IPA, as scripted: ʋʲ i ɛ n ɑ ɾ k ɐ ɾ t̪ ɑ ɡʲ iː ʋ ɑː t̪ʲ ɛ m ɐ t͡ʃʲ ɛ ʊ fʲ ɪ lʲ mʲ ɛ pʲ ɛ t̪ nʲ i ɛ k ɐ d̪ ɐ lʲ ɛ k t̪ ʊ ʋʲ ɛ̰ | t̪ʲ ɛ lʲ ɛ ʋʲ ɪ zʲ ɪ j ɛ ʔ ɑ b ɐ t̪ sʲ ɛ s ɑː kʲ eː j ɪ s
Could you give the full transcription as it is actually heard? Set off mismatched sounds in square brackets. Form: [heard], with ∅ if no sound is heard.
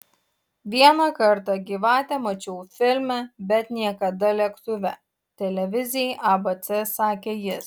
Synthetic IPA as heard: ʋʲ i ɛ n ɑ [∅] k ɐ ɾ t̪ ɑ ɡʲ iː ʋ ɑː t̪ʲ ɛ m ɐ t͡ʃʲ ɛ ʊ fʲ ɪ lʲ mʲ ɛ [bʲ] ɛ t̪ nʲ i ɛ k ɐ d̪ ɐ lʲ ɛ k t̪ ʊ ʋʲ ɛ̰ | t̪ʲ ɛ lʲ ɛ ʋʲ ɪ zʲ ɪ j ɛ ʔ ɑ b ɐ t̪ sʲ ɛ s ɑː kʲ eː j ɪ s